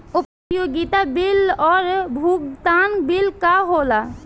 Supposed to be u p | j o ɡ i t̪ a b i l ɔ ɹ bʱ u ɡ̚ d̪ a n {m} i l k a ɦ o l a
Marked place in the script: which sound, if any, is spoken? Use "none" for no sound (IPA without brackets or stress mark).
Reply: b